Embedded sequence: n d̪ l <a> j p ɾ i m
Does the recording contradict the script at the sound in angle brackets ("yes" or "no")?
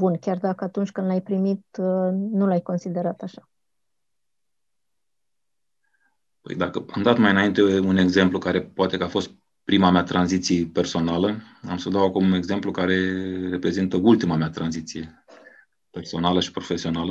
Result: no